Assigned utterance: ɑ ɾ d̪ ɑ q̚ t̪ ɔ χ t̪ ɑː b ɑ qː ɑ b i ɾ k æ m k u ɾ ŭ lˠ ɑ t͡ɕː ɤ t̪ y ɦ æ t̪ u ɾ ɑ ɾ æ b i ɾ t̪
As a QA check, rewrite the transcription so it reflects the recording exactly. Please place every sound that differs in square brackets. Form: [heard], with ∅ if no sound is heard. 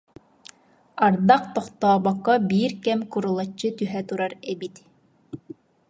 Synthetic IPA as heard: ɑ ɾ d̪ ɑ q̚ t̪ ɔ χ t̪ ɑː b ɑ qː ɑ b i ɾ k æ m k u ɾ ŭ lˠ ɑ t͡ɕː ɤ t̪ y ɦ æ t̪ u ɾ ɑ ɾ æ b i [∅] t̪

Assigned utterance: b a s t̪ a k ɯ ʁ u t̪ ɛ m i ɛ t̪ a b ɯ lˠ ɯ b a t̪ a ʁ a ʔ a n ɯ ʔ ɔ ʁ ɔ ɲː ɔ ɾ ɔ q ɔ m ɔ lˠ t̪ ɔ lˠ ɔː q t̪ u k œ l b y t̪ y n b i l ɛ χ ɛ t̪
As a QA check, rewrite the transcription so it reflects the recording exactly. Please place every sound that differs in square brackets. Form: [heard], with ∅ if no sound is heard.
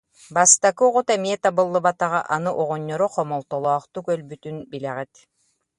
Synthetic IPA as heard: b a s t̪ a k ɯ ʁ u t̪ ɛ m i ɛ t̪ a b ɯ [lˠː] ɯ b a t̪ a ʁ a ʔ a n ɯ ʔ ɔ ʁ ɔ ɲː ɔ ɾ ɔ q ɔ m ɔ lˠ t̪ ɔ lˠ ɔː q t̪ u k œ l b y t̪ y n b i l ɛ [ʁ] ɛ t̪

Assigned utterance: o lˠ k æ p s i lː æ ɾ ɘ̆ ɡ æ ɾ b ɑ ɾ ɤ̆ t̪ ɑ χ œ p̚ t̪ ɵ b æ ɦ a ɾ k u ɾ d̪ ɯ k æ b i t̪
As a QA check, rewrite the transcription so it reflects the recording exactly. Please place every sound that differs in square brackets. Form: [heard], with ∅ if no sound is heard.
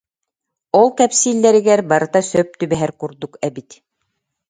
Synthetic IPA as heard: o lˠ k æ p s i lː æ ɾ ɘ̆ ɡ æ ɾ b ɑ ɾ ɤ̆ t̪ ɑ [s] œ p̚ t̪ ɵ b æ ɦ [æ] ɾ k u ɾ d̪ [u] k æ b i t̪

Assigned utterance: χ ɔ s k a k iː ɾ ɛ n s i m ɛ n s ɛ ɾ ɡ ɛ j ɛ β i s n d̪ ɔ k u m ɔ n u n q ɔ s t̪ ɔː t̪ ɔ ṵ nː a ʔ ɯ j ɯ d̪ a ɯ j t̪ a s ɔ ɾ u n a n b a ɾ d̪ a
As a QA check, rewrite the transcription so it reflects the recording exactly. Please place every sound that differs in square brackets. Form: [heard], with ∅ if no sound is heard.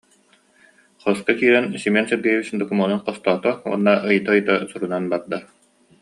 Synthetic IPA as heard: χ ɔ s k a k iː ɾ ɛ n s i m ɛ n s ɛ ɾ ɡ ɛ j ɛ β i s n d̪ ɔ k u m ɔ n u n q ɔ s t̪ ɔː t̪ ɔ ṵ nː a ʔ ɯ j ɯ [t̪] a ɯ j t̪ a s [u] ɾ u n a n b a ɾ d̪ a

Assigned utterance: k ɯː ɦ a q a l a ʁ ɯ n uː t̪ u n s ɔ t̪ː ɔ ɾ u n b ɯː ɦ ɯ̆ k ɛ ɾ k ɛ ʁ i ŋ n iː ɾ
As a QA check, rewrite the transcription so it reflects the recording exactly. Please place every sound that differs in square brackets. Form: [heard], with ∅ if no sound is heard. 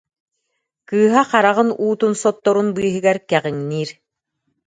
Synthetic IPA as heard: k ɯː ɦ a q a [ɾ] a ʁ ɯ n uː t̪ u n s ɔ t̪ː ɔ ɾ u n b ɯː ɦ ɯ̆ [ɡ] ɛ ɾ k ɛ ʁ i ŋ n iː ɾ

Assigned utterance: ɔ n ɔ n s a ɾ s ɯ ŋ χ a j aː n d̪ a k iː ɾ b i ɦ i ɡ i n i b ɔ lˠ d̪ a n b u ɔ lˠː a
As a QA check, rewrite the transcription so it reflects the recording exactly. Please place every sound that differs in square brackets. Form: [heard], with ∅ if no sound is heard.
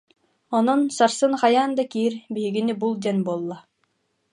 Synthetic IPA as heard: ɔ n ɔ n s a ɾ s ɯ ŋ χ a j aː n d̪ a k iː ɾ b i ɦ i ɡ i n i b [u] lˠ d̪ [ɛ] n b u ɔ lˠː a

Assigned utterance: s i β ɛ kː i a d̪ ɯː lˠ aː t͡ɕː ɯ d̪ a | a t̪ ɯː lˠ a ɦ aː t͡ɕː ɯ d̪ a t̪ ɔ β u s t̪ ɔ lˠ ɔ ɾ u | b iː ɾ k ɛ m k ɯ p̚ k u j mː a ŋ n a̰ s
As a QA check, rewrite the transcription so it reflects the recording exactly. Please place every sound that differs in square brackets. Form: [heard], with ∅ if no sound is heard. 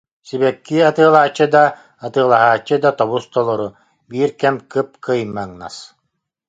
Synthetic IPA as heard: s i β ɛ kː i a [t̪] ɯː lˠ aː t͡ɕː ɯ d̪ a | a t̪ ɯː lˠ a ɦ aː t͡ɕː ɯ d̪ a t̪ ɔ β u s t̪ ɔ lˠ ɔ ɾ u | b iː ɾ k ɛ m k ɯ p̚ k [ɯ] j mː a ŋ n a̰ s

